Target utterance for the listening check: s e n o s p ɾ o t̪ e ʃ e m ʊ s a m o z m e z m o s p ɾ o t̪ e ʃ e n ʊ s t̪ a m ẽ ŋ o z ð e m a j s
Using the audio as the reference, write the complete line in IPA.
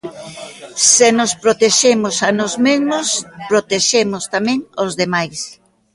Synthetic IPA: s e n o s p ɾ o t̪ e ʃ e m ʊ s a n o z m e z m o s p ɾ o t̪ e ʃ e m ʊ s t̪ a m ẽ ŋ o z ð e m a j s